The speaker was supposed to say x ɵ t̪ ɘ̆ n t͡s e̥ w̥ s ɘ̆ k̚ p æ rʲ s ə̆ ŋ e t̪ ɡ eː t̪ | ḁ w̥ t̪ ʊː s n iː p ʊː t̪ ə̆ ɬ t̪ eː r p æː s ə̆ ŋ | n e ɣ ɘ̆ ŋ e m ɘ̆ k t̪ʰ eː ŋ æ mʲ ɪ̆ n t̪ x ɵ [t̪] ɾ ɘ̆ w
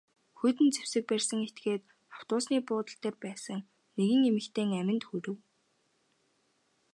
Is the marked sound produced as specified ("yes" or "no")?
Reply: no